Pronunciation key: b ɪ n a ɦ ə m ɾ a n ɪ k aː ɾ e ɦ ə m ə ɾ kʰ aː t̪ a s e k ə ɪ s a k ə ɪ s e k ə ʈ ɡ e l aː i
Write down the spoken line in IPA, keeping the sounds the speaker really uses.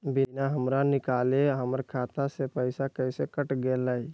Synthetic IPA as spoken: b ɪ n a ɦ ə m ɾ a n ɪ k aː l e ɦ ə m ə ɾ kʰ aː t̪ a s e p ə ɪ s a k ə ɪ s e k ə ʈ ɡ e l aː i